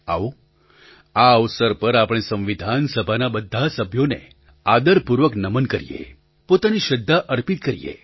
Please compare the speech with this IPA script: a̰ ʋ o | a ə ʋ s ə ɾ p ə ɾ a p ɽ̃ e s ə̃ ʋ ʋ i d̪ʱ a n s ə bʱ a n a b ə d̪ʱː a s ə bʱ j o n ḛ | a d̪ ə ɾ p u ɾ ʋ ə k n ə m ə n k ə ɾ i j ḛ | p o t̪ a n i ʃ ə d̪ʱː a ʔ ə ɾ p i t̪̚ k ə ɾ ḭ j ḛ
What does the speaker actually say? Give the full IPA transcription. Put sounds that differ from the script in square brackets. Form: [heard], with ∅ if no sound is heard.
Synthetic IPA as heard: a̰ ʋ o | a ə ʋ s ə ɾ p ə ɾ a p ɽ̃ e s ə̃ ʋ ʋ i d̪ʱ a n s ə bʱ a n a b ə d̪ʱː a s ə bʱ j o n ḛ | a d̪ ə ɾ p u ɾ ʋ ə k n ə m ə n k ə ɾ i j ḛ | p o t̪ a n i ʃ ə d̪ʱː a ʔ ə ɾ p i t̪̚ k ə ɾ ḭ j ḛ